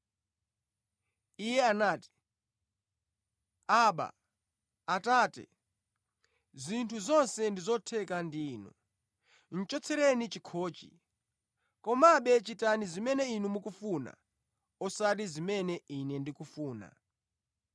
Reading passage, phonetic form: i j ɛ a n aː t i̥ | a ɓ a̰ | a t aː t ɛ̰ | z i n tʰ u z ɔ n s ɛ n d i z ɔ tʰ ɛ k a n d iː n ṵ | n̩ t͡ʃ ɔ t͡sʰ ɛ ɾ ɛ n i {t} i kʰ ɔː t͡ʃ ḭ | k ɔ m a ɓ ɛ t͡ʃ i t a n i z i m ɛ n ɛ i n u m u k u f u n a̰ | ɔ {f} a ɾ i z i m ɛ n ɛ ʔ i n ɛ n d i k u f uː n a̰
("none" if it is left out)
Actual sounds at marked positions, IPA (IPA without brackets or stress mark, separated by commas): t͡ʃ, s